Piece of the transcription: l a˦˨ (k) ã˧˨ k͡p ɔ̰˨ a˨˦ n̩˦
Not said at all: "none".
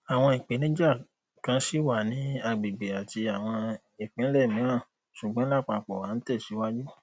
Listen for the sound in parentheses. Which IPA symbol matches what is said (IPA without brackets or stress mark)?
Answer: k͡p